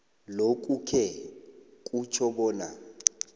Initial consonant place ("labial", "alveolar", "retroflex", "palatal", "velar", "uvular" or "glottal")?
alveolar